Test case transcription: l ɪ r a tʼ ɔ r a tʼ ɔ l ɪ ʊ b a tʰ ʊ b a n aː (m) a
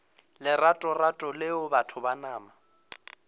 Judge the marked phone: correct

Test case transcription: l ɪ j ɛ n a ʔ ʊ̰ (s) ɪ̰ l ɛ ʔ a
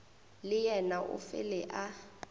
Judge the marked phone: incorrect: f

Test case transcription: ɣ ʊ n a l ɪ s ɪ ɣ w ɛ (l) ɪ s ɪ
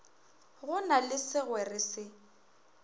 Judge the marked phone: incorrect: r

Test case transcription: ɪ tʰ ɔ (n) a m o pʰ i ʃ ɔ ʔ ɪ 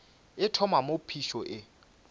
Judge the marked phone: incorrect: m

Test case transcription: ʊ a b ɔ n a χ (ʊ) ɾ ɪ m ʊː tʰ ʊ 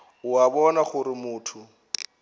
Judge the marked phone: correct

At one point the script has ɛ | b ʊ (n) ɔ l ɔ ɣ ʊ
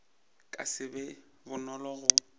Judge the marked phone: correct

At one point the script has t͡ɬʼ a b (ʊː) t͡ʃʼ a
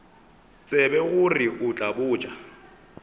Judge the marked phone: correct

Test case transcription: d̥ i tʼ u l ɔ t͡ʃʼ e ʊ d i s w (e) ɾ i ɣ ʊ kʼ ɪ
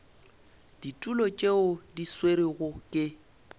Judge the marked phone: correct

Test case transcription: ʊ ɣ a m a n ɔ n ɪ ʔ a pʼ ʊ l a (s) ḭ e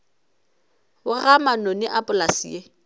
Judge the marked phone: correct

